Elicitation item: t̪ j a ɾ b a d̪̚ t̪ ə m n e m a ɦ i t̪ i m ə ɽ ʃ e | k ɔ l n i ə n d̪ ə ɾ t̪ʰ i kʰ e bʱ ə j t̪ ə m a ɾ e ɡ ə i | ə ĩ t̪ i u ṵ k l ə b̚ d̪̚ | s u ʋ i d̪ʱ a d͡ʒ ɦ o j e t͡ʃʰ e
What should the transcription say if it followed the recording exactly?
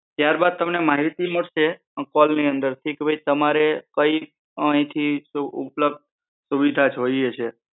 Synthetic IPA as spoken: t̪ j a ɾ b a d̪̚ t̪ ə m n e m a ɦ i t̪ i m ə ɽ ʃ e | k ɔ l n i ə n d̪ ə ɾ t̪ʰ i k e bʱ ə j t̪ ə m a ɾ e k ə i | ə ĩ t̪ʰ i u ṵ p l ə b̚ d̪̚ | s u ʋ i d̪ʱ a d͡ʒ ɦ o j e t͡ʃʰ e